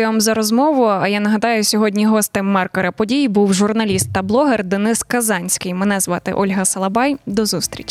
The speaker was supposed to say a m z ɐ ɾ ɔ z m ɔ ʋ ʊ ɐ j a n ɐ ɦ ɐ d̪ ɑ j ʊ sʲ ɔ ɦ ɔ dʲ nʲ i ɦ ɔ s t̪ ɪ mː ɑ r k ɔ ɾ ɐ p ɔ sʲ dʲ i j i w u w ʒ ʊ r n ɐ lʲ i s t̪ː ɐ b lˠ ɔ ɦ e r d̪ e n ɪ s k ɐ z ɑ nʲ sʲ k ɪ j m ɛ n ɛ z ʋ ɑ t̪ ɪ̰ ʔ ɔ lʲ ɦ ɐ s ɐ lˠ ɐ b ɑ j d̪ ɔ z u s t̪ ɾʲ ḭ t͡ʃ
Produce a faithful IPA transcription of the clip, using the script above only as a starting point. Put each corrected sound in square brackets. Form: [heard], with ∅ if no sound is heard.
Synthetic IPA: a m z ɐ ɾ ɔ z m ɔ ʋ ʊ ɐ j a n ɐ ɦ ɐ d̪ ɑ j ʊ sʲ ɔ ɦ ɔ dʲ nʲ i ɦ ɔ s t̪ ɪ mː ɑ r k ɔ ɾ ɐ p ɔ [∅] dʲ i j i [b] u w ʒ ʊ r n ɐ lʲ i s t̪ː ɐ b lˠ ɔ ɦ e r d̪ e n ɪ s k ɐ z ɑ nʲ sʲ k ɪ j m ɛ n ɛ z ʋ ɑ t̪ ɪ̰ ʔ ɔ lʲ ɦ ɐ s ɐ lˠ ɐ b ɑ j d̪ ɔ z u s t̪ ɾʲ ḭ t͡ʃ